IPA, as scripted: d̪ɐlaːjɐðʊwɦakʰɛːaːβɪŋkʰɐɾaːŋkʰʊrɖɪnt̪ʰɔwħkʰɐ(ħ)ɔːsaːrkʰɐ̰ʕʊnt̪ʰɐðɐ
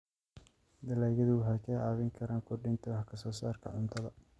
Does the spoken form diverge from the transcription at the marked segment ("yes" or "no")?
yes